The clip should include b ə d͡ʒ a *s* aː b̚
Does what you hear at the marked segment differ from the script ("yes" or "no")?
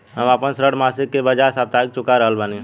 no